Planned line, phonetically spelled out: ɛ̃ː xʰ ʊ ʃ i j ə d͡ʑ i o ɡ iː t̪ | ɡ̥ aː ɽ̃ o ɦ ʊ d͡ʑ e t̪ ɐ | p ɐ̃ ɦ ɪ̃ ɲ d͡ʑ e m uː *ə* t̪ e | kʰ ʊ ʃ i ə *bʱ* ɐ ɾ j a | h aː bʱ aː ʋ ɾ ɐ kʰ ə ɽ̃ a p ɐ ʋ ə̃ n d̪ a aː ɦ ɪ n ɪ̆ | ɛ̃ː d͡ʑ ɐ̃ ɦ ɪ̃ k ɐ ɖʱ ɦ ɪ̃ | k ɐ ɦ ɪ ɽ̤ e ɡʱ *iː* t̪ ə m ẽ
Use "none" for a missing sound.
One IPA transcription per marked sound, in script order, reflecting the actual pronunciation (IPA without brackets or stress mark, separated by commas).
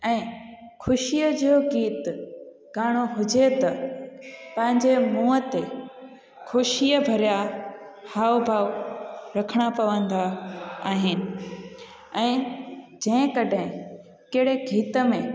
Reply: ə, bʱ, iː